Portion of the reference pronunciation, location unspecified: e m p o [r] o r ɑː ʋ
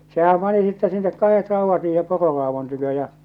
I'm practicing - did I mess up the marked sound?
no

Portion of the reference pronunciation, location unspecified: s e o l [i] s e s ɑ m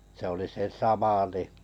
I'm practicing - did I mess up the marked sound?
no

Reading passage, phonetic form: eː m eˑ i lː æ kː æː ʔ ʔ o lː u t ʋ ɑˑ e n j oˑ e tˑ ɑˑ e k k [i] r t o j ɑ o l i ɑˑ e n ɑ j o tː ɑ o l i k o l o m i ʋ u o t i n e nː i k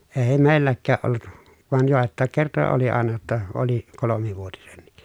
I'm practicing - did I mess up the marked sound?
yes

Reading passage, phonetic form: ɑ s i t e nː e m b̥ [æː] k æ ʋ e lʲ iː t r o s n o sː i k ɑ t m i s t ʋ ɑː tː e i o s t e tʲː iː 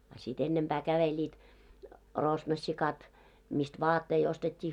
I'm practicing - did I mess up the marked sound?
no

